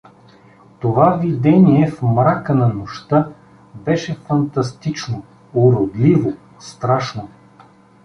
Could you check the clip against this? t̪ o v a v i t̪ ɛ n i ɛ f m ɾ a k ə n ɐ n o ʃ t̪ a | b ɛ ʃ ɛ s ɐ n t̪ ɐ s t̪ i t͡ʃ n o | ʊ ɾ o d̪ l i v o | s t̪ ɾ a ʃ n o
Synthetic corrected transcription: t̪ o v a v i d̪ ɛ n i ɛ f m ɾ a k ə n ɐ n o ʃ t̪ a | b ɛ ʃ ɛ f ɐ n t̪ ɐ s t̪ i t͡ʃ n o | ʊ ɾ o d̪ l i v o | s t̪ ɾ a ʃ n o